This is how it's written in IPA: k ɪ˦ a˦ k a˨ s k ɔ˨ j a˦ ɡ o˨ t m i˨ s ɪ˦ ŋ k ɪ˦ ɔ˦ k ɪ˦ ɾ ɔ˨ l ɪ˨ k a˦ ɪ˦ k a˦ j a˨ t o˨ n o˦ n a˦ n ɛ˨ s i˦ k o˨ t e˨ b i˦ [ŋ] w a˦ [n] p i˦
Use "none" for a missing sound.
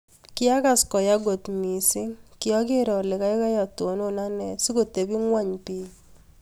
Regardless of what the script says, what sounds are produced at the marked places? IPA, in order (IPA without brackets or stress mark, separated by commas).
ŋ, ɲ